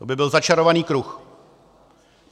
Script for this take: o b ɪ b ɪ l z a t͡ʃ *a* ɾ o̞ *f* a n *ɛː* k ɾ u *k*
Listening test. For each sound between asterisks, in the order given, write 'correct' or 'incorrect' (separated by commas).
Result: correct, incorrect, incorrect, incorrect